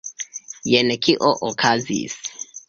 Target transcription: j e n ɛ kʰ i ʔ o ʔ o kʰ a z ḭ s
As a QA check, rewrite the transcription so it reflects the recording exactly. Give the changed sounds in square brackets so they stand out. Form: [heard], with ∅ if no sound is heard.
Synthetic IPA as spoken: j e n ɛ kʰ i ʔ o ʔ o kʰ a z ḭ s